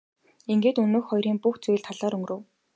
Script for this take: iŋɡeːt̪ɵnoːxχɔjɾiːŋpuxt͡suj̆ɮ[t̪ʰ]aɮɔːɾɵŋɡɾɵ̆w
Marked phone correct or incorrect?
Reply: correct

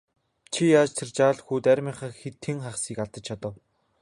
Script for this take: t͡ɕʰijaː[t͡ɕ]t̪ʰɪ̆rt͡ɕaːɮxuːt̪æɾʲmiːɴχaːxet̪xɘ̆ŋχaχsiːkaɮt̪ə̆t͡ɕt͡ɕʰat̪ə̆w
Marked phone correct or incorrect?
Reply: correct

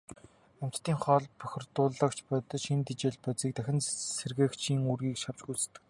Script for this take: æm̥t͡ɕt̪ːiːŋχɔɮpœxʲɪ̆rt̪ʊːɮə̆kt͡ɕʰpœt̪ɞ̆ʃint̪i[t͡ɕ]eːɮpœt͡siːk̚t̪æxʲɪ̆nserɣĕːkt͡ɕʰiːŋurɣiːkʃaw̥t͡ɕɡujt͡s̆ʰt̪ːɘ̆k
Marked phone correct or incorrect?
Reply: correct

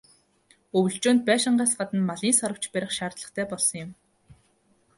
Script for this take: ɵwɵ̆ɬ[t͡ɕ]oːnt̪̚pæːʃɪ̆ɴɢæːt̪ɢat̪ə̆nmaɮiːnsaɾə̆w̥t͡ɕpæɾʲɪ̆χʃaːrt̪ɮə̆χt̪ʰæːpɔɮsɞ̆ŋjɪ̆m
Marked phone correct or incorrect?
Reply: correct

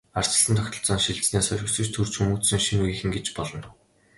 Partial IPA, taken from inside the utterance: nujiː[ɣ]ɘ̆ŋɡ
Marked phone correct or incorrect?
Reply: incorrect: x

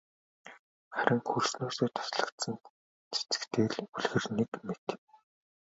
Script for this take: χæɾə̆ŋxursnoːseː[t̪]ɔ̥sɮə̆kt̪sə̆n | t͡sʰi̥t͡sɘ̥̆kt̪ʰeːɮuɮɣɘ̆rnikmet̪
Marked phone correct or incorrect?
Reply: incorrect: t̪ʰ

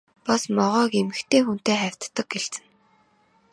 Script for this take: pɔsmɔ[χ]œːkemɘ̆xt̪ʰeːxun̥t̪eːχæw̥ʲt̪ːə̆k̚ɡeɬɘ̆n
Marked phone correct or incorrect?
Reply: incorrect: ʁ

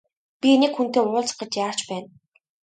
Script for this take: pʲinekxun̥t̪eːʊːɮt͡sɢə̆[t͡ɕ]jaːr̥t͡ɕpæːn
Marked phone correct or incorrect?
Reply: correct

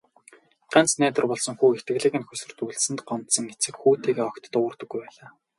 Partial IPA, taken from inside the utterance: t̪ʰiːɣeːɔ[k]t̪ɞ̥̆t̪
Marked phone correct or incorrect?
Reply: correct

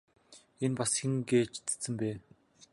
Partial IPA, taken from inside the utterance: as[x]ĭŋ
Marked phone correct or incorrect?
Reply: correct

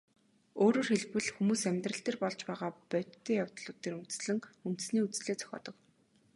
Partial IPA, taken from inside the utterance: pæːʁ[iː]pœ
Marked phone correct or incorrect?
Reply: incorrect: aː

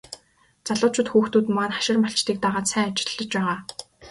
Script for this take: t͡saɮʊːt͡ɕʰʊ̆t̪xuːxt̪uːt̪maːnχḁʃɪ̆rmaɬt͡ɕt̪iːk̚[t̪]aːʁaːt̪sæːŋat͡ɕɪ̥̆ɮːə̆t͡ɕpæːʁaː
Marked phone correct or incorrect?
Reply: correct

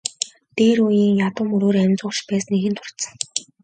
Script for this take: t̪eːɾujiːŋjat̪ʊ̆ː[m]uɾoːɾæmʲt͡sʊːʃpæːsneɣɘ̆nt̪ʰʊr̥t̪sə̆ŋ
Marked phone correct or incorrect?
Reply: correct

